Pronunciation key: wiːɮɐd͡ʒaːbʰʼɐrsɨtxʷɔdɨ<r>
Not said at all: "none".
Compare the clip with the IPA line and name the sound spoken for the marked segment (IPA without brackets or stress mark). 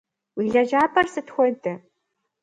none